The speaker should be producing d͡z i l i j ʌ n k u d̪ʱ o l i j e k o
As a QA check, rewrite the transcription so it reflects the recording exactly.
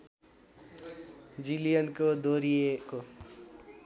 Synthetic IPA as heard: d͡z i l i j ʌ n k o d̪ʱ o ɾ i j e k o